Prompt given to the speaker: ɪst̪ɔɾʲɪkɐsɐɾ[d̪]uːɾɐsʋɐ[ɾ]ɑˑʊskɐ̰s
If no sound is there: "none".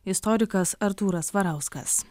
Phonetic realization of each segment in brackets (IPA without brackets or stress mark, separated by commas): t̪, ɾ